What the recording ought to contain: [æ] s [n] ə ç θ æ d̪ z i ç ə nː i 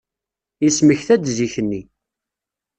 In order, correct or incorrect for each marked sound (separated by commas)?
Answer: incorrect, incorrect